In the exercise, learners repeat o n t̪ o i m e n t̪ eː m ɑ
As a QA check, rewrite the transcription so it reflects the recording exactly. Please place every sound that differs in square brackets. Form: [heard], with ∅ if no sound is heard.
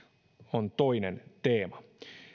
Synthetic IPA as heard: o n t̪ o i [n] e n t̪ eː m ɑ